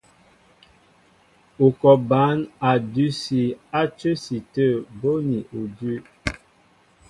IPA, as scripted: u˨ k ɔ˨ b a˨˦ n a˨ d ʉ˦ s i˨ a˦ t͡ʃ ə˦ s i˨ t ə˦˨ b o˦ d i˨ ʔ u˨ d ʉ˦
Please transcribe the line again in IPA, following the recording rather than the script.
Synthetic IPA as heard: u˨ k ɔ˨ b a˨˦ n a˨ d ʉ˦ s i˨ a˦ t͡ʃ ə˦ s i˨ t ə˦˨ b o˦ n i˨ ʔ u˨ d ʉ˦

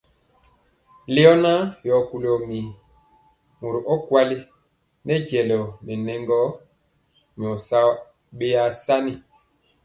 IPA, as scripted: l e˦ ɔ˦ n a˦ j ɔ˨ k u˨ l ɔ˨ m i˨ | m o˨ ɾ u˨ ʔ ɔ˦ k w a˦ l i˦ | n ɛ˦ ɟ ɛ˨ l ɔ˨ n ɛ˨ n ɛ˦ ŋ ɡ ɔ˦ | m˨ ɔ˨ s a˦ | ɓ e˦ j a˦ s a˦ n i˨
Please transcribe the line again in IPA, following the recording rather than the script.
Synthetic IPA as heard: l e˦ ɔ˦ n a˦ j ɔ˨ k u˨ l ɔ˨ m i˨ | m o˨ ɾ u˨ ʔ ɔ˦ k w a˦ l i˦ | n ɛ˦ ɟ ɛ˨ l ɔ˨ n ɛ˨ n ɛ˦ ŋ ɡ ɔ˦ | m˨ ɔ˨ s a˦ | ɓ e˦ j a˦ s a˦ n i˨

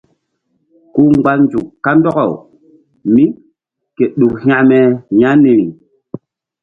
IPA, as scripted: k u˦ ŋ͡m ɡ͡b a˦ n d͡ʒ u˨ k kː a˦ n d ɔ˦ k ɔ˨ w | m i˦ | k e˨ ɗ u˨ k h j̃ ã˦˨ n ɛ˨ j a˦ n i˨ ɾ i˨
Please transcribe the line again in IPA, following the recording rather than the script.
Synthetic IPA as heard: k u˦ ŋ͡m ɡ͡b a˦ n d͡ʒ u˨ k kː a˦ n d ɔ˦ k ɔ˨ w | m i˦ | k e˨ ɗ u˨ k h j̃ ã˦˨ m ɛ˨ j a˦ n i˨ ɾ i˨

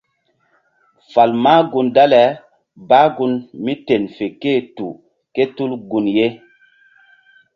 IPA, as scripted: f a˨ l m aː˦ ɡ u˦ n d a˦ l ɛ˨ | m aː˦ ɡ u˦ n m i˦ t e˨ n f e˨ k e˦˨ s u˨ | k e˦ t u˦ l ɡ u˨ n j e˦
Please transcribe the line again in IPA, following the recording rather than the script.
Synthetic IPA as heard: f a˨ l m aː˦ ɡ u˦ n d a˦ l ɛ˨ | b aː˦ ɡ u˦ n m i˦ t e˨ n f e˨ k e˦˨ t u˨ | k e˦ t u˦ l ɡ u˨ n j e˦

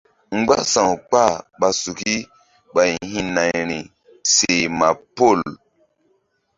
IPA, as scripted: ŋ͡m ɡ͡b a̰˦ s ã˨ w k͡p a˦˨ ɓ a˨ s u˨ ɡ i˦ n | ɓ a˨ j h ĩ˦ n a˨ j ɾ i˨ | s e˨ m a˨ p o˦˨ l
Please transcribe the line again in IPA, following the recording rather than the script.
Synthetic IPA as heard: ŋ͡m ɡ͡b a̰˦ s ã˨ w k͡p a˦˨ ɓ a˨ s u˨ k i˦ | ɓ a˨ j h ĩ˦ n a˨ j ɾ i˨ | s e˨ m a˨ p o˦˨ l

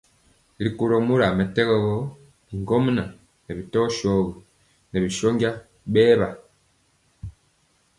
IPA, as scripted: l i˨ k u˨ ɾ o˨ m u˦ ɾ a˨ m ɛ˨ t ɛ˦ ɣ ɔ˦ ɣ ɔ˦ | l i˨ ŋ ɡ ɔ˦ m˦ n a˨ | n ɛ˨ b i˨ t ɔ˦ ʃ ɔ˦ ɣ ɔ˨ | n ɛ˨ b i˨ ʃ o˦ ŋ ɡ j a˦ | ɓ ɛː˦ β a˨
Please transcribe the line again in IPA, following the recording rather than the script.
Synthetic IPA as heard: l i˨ k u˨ ɾ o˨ m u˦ ɾ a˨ m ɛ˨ t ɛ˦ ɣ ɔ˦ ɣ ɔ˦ | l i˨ ŋ ɡ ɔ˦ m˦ n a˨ | n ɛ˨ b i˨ t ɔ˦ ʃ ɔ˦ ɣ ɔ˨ | n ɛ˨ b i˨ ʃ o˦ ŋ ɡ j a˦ | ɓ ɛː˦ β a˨

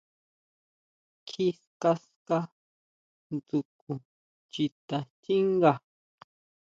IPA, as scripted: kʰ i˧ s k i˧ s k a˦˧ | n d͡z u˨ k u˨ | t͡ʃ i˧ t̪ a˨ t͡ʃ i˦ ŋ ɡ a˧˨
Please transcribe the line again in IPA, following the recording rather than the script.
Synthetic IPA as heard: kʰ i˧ s k a˧ s k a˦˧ | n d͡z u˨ k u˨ | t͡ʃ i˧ t̪ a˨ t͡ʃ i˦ ŋ ɡ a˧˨

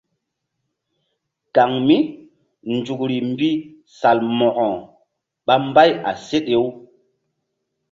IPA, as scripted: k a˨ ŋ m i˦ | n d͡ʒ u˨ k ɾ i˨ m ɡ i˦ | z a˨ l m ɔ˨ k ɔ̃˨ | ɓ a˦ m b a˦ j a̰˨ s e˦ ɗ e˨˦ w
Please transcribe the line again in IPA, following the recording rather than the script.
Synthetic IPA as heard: k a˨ ŋ m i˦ | n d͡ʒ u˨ k ɾ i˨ m b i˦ | s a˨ l m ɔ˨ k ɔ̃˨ | ɓ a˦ m b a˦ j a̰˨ s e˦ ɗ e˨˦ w

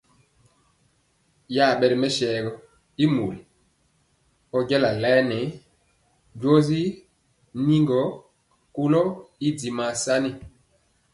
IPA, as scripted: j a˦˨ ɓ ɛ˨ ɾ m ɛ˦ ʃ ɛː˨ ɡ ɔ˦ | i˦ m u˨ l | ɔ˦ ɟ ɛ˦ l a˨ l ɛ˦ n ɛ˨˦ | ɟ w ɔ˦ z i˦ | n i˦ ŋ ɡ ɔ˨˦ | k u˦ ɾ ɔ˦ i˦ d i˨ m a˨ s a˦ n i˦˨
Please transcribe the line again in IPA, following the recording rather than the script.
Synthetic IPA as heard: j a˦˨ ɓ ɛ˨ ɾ m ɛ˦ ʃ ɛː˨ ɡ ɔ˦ | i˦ m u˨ l | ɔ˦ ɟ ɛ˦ l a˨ l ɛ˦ n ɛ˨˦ | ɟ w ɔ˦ z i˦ | n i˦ ŋ ɡ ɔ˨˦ | k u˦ l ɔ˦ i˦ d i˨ m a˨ s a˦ n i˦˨

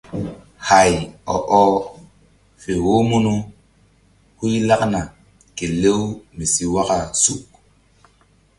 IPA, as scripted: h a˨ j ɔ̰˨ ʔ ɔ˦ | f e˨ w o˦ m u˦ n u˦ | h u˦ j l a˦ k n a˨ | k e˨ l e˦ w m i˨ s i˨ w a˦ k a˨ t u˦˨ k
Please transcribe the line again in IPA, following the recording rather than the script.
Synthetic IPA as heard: h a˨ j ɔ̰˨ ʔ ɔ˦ | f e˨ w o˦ m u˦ n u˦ | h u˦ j l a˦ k n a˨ | k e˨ l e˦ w m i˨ s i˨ w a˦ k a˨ s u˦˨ k

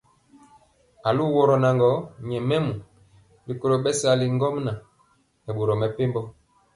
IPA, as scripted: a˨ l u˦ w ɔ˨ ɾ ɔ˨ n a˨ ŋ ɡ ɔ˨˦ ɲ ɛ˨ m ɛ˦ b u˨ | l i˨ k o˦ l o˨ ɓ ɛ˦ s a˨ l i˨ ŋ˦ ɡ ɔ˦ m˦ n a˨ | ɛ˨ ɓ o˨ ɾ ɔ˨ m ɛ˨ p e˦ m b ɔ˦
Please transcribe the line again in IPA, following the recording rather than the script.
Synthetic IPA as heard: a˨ l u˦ w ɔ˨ ɾ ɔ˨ n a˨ ŋ ɡ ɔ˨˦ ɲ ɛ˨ m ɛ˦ m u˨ | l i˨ k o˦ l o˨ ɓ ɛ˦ s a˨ l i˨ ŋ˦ ɡ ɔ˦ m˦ n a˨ | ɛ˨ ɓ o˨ ɾ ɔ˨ m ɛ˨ p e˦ m b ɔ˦

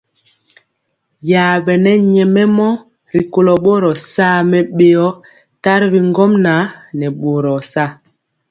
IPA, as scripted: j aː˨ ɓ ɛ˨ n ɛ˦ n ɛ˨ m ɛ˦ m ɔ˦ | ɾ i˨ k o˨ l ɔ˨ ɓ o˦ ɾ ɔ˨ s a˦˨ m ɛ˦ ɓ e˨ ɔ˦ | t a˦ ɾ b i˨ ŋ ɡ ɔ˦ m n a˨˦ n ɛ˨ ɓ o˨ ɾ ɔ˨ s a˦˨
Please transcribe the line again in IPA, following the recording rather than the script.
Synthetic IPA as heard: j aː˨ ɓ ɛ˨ n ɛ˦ ɲ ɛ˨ m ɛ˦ m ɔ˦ | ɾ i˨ k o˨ l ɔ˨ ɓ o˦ ɾ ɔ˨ s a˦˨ m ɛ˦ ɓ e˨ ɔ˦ | t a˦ ɾ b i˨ ŋ ɡ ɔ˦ m n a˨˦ n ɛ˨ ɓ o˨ ɾ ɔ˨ s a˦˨

